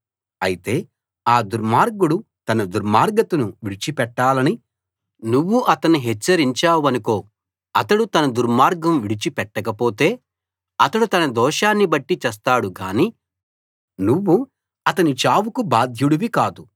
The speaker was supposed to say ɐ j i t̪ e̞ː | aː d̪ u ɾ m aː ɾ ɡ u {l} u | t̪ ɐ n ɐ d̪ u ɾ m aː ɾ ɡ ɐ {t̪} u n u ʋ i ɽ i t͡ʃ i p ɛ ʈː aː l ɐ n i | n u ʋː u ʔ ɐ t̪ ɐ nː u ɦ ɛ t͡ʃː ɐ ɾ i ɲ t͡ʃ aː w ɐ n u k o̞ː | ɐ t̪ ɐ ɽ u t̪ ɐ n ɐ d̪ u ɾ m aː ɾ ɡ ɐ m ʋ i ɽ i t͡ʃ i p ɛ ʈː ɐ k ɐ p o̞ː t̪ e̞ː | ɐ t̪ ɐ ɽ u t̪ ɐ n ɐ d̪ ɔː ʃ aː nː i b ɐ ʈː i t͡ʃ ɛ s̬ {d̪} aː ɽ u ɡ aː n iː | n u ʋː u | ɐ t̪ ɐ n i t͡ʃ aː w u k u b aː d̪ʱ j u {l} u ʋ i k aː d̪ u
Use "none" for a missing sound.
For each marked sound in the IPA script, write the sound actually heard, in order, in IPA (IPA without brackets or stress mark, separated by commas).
ɽ, t̪, t̪, ɽ